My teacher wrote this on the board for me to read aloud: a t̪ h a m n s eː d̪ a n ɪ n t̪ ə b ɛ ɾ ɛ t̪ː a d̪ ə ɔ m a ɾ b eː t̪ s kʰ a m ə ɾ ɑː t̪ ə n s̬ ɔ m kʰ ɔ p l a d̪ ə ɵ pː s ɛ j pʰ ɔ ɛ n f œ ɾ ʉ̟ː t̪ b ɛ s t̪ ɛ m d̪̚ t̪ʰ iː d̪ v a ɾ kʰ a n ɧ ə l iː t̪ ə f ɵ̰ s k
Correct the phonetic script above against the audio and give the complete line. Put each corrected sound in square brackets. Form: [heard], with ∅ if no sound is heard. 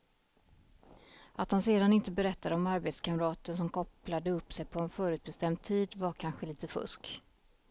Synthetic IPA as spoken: a t̪ h a [∅] n s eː d̪ a n ɪ n t̪ ə b ɛ ɾ ɛ t̪ː a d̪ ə ɔ m a ɾ b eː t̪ s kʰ a m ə ɾ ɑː t̪ ə n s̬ ɔ m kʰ ɔ p l a d̪ ə ɵ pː s ɛ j pʰ ɔ ɛ n f [œː] ɾ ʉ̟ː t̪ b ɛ s t̪ ɛ m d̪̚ t̪ʰ iː d̪ v a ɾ kʰ a n ɧ ə l iː t̪ ə f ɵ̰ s k

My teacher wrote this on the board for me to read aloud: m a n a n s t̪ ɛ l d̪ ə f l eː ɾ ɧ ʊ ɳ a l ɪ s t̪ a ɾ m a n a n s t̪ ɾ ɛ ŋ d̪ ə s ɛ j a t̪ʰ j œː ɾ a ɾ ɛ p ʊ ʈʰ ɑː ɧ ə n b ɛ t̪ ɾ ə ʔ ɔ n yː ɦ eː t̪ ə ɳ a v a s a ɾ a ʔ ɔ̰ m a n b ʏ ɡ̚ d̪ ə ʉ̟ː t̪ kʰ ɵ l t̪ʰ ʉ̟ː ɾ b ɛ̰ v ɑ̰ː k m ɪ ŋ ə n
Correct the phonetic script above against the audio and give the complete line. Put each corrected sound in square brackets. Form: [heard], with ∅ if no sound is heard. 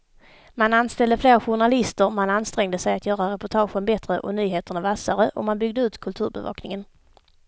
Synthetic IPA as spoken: m a n a n s t̪ ɛ l d̪ ə f l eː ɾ ɧ ʊ ɳ a l ɪ s t̪ [ə] ɾ m a n a n s t̪ ɾ ɛ ŋ d̪ ə s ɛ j a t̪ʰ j œː ɾ a ɾ ɛ p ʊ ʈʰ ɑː ɧ ə n b ɛ t̪ ɾ ə ʔ ɔ n yː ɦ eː t̪ ə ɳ a v a s a ɾ [ə] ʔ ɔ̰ m a n b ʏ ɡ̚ d̪ ə ʉ̟ː t̪ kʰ ɵ l t̪ʰ ʉ̟ː ɾ b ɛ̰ v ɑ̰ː k [n] ɪ ŋ ə n

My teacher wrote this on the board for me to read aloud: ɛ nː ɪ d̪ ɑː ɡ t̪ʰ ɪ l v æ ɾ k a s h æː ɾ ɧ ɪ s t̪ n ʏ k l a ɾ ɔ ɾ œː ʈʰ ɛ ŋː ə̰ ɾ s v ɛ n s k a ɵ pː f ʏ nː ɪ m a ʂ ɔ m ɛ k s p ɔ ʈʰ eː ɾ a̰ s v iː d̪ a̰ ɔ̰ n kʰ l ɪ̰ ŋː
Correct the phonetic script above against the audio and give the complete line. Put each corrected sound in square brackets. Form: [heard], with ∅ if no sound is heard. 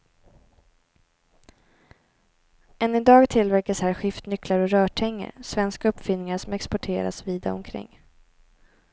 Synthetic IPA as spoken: ɛ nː ɪ d̪ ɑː ɡ t̪ʰ ɪ l v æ ɾ k a s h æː ɾ ɧ ɪ [f] t̪ n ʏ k l a ɾ ɔ ɾ œː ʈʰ ɛ ŋː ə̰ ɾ s v ɛ n s k a ɵ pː f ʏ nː ɪ [ŋ] a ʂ ɔ m ɛ k s p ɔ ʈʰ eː ɾ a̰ s v iː d̪ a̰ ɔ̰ [m] kʰ [ɾ] ɪ̰ ŋː

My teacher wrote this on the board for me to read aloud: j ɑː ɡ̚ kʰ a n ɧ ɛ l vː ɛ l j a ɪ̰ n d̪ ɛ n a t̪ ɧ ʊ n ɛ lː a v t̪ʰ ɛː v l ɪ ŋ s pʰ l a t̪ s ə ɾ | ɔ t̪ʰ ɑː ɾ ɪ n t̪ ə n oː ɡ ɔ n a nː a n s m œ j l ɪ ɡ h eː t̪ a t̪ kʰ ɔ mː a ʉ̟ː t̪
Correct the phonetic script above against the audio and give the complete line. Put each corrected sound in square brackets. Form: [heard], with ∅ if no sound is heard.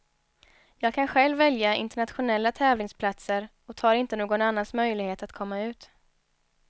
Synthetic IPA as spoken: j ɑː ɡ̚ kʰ a n ɧ ɛ l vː ɛ l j a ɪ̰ n [t̪] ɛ [ɳ] a t̪ ɧ ʊ n ɛ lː a [∅] t̪ʰ ɛː v l ɪ ŋ s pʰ l a t̪ s ə ɾ | ɔ t̪ʰ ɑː ɾ ɪ n t̪ ə n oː ɡ ɔ n a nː a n s m œ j l ɪ ɡ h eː t̪ a t̪ kʰ ɔ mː a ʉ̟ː t̪

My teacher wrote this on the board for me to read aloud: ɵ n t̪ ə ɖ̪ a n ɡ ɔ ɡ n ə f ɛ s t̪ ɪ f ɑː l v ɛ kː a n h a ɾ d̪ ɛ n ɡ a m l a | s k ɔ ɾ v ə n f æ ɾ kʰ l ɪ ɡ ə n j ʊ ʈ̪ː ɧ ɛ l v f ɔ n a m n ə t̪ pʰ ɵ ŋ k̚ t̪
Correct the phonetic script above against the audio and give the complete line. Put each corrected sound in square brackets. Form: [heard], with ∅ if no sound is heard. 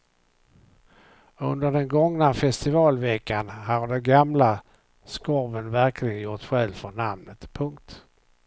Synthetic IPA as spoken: ɵ n [d̪] ə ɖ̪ [ɛ] n ɡ ɔ [ŋ] n [a] f ɛ s t̪ ɪ [v] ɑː l v ɛ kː a n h a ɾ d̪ ɛ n ɡ a m l a | s k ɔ ɾ v ə n [v] æ ɾ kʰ l ɪ ɡ ə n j ʊ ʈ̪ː ɧ ɛ l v f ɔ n a m n ə t̪ pʰ ɵ ŋ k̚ t̪

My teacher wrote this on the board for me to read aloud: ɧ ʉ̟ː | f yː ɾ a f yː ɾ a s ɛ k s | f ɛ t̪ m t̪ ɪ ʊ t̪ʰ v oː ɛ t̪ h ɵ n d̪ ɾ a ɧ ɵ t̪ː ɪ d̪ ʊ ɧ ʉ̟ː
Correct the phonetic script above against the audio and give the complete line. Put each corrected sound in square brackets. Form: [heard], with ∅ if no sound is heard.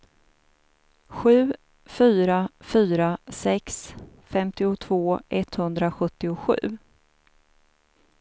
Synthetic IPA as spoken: ɧ ʉ̟ː | f yː ɾ a f yː ɾ a s ɛ k s | f ɛ [∅] m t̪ ɪ ʊ t̪ʰ v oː ɛ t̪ h ɵ n d̪ ɾ a ɧ ɵ t̪ː ɪ [∅] ʊ ɧ ʉ̟ː

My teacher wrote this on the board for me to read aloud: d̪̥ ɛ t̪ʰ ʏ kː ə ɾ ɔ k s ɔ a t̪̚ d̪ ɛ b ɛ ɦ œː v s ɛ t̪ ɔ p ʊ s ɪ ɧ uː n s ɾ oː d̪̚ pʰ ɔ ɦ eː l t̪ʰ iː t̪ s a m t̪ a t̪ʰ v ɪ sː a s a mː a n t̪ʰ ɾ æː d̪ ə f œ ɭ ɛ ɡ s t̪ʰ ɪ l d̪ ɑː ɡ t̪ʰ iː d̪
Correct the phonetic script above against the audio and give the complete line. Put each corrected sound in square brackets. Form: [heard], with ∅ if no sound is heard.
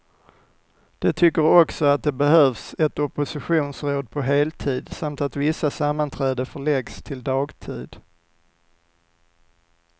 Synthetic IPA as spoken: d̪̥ ɛ t̪ʰ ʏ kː ə ɾ ɔ k s ɔ a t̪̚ d̪ ɛ b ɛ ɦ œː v s ɛ t̪ ɔ p ʊ s ɪ ɧ uː n s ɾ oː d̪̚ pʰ ɔ ɦ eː l t̪ʰ iː [d̪] s a m t̪ a [t̪] v ɪ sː a s a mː a n t̪ʰ ɾ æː d̪ ə f œ ɭ ɛ ɡ s t̪ʰ ɪ l d̪ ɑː ɡ t̪ʰ iː d̪

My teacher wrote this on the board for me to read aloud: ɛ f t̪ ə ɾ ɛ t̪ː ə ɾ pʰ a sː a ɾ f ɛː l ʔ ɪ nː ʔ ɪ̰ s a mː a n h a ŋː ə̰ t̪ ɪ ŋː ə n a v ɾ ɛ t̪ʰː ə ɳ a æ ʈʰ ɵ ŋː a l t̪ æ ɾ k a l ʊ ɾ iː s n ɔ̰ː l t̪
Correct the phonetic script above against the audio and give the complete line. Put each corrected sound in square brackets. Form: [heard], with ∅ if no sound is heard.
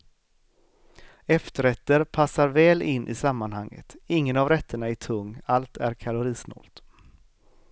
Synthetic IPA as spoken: ɛ f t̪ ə ɾ ɛ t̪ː ə ɾ pʰ a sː a ɾ [v] ɛː l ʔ ɪ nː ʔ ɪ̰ s a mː a n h a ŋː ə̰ t̪ ɪ ŋː ə n a v ɾ ɛ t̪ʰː ə ɳ a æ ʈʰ ɵ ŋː a l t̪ æ ɾ [kʰ] a l ʊ ɾ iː s n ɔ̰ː l t̪

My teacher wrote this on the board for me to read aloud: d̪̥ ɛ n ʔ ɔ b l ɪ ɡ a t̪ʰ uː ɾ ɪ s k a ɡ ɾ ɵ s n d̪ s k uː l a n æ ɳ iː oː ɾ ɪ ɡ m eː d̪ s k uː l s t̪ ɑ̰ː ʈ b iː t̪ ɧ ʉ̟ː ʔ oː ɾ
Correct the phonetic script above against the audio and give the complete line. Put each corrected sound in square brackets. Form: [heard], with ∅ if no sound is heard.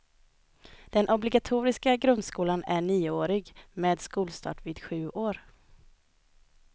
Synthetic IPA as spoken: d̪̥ ɛ n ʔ ɔ b l ɪ ɡ a t̪ʰ uː ɾ ɪ s k a ɡ ɾ ɵ [∅] n d̪ s k uː l a n æ ɳ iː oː ɾ ɪ ɡ m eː d̪ s k uː l s t̪ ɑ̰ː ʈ [v] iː [d̪] ɧ ʉ̟ː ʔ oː ɾ

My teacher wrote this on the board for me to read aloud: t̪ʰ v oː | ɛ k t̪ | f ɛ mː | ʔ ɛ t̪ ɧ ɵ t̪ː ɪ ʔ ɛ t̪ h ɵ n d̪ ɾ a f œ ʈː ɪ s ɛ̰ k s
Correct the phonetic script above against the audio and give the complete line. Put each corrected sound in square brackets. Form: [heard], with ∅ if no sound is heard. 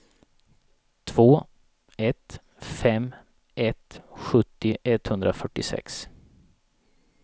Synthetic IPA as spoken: t̪ʰ v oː | ɛ [∅] t̪ | f ɛ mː | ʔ ɛ t̪ ɧ ɵ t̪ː ɪ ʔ ɛ t̪ h ɵ n d̪ ɾ a f œ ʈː ɪ s ɛ̰ k s

